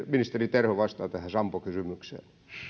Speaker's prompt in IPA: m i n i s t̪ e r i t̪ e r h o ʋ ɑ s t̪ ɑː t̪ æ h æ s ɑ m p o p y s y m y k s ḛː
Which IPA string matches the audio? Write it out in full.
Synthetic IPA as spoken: m i n i s t̪ e r i t̪ e r h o ʋ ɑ s t̪ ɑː t̪ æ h æ s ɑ m p o k y s y m y k s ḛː